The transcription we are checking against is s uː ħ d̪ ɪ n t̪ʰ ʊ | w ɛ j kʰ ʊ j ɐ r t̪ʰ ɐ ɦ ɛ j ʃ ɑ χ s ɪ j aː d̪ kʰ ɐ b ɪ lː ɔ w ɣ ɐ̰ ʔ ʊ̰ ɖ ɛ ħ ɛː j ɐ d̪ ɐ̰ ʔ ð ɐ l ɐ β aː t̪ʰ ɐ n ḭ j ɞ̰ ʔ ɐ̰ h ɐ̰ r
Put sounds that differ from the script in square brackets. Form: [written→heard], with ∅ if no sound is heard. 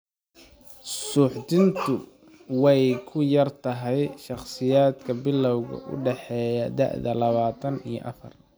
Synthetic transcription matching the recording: s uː ħ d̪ ɪ n t̪ʰ ʊ | w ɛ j kʰ ʊ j ɐ r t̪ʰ ɐ ɦ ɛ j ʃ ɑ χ s ɪ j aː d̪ kʰ ɐ b ɪ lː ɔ w ɣ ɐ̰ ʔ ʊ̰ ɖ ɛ ħ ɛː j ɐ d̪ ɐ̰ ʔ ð ɐ l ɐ β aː t̪ʰ ɐ n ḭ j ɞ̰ ʔ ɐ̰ [h→f] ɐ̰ r